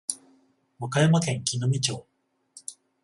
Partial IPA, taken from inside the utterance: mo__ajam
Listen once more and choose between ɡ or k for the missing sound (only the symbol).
k